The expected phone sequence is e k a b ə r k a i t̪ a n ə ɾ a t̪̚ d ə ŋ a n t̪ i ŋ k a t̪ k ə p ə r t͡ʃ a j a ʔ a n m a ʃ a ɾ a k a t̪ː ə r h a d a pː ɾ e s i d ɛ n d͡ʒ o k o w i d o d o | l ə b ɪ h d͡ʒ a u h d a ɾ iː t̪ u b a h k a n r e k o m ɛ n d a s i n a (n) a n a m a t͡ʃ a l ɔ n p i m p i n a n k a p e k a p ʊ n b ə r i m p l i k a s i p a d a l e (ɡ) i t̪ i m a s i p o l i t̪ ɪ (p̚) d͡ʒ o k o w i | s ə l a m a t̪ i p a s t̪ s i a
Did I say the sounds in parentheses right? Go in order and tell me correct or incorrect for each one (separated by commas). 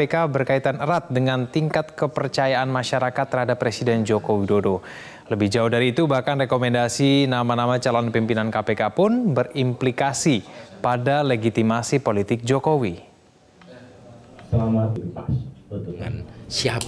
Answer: incorrect, correct, incorrect